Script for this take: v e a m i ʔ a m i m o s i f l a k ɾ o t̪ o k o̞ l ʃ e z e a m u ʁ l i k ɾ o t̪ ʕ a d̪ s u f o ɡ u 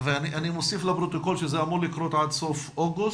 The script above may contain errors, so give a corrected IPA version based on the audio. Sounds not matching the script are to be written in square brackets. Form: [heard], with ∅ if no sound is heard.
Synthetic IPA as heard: v e a [n] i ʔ a [n] i m o s i f l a [p] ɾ o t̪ o k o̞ l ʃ e z e a m u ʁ l i k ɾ o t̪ ʕ a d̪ s [o] f o ɡ u